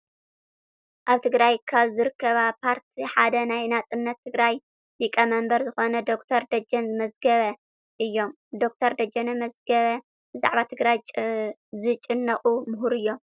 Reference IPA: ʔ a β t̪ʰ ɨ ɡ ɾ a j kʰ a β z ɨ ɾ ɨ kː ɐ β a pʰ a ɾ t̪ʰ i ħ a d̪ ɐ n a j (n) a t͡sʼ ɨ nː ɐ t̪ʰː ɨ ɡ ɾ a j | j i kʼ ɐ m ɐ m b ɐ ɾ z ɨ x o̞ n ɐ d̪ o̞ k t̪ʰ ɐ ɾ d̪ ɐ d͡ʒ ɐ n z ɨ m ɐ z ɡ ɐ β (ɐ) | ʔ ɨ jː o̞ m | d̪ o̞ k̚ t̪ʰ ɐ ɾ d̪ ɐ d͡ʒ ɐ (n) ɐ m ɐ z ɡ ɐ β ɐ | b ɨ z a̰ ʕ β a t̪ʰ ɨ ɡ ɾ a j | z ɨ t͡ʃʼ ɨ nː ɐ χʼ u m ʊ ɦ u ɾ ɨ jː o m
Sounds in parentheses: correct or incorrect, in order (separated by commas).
correct, correct, correct